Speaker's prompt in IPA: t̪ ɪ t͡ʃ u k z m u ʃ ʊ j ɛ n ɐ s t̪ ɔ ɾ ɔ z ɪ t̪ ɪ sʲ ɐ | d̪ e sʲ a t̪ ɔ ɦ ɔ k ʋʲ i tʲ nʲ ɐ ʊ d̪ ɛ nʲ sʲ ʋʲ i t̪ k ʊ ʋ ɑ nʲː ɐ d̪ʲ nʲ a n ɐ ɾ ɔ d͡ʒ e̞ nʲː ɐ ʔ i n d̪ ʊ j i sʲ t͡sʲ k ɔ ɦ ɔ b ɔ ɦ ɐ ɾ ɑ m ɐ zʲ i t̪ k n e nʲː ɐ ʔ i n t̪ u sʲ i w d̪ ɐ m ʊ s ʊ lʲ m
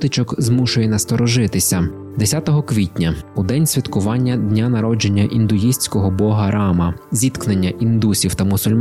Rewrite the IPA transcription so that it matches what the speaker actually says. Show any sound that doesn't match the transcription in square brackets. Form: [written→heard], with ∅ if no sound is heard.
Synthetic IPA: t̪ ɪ t͡ʃ [u→ɔ] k z m u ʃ ʊ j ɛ n ɐ s t̪ ɔ ɾ ɔ [z→ʒ] ɪ t̪ ɪ sʲ ɐ | d̪ e sʲ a t̪ ɔ ɦ ɔ k ʋʲ i tʲ nʲ ɐ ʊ d̪ ɛ nʲ sʲ ʋʲ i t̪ k ʊ ʋ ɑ nʲː ɐ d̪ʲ nʲ a n ɐ ɾ ɔ d͡ʒ e̞ nʲː ɐ ʔ i n d̪ ʊ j i sʲ t͡sʲ k ɔ ɦ ɔ b ɔ ɦ ɐ ɾ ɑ m ɐ zʲ i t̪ k n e nʲː ɐ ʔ i n [t̪→d̪] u sʲ i w [d̪→t̪] ɐ m ʊ s ʊ lʲ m